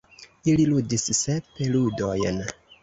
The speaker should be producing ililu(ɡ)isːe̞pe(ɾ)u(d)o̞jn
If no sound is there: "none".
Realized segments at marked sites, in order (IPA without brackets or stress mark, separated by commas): d, l, d